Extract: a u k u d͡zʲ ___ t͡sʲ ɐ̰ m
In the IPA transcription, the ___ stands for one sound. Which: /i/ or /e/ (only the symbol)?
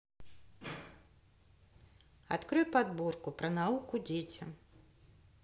e